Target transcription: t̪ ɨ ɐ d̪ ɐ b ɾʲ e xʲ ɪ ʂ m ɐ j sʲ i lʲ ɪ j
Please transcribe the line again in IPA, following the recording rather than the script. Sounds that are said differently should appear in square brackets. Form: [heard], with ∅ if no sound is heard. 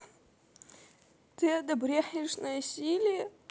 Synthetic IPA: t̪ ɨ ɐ d̪ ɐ b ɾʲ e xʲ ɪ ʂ [n] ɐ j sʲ i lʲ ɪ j